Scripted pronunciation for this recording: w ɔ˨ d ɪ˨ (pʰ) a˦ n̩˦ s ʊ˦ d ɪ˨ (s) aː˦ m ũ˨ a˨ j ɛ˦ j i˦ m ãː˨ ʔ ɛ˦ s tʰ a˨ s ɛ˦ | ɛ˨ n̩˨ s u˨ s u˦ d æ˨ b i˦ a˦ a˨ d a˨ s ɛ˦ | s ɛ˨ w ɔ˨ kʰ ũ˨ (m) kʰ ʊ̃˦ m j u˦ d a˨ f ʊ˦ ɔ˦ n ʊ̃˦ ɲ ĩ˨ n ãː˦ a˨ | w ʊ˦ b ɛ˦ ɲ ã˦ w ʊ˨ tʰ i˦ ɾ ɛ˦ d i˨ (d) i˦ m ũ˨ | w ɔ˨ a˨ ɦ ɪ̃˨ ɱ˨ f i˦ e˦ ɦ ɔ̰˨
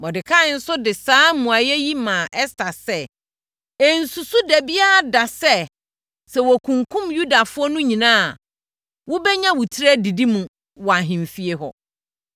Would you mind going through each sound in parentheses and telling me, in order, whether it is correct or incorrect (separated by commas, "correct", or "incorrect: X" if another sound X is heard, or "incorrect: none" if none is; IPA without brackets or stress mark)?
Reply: incorrect: kʰ, correct, incorrect: ŋ, correct